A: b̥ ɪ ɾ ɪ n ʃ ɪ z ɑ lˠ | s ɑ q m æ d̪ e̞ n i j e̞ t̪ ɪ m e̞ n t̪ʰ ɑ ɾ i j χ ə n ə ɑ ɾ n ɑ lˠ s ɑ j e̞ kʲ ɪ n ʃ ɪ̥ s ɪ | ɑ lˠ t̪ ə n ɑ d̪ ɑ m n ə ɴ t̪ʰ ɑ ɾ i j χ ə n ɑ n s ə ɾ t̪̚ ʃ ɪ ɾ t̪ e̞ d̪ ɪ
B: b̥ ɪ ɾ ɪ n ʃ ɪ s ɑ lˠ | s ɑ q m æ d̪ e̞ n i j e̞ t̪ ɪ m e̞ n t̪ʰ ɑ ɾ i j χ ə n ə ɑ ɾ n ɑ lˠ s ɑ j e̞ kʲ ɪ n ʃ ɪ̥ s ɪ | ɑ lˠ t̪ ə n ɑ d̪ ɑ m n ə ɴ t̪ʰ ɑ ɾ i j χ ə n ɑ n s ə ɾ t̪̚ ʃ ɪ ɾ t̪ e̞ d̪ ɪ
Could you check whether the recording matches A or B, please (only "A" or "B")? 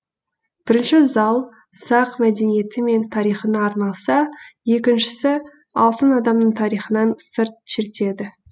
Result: A